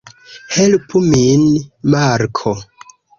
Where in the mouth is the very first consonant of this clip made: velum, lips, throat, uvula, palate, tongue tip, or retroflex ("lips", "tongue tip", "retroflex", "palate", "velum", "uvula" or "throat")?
throat